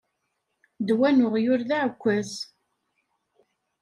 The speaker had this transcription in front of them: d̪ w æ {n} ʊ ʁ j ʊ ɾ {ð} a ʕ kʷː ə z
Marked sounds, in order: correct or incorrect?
correct, correct

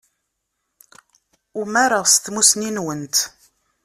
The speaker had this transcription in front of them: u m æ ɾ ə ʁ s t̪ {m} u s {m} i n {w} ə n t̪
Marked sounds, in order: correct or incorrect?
correct, incorrect: n, correct

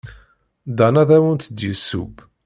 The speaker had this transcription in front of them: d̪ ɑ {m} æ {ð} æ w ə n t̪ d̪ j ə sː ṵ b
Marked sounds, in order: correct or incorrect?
incorrect: n, correct

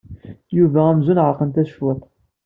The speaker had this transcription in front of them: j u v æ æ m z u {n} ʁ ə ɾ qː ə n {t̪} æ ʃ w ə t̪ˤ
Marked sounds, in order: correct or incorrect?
correct, correct

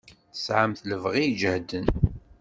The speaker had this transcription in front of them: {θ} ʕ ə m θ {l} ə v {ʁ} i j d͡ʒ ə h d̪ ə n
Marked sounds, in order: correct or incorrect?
incorrect: s, correct, correct

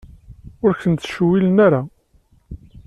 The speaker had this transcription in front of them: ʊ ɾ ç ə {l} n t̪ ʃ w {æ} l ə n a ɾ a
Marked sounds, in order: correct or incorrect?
incorrect: none, incorrect: i

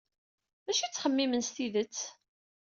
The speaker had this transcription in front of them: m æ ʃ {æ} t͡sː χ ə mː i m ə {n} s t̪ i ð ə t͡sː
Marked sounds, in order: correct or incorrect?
incorrect: i, correct

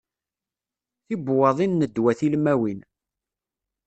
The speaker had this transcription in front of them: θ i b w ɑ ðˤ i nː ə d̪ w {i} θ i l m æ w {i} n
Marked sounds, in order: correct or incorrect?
incorrect: æ, correct

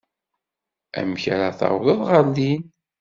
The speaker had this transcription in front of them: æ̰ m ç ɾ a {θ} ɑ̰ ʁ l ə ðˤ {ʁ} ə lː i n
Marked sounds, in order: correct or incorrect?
correct, correct

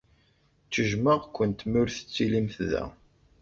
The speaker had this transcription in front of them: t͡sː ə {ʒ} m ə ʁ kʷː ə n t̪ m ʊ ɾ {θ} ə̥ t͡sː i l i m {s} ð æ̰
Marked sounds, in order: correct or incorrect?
correct, correct, incorrect: θ

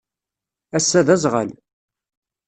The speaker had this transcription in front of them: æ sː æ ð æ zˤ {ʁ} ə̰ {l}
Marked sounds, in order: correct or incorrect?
correct, correct

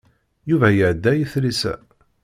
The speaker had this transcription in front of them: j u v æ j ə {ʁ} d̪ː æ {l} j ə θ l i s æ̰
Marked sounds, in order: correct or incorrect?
incorrect: ʕ, incorrect: none

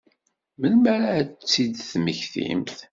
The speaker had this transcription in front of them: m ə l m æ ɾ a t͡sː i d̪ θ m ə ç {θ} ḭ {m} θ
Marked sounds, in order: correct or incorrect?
correct, correct

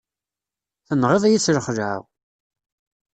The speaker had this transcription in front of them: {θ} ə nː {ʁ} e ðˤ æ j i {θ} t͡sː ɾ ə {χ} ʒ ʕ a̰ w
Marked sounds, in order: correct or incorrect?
correct, correct, incorrect: none, correct

